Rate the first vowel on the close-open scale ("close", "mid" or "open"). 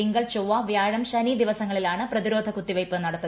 close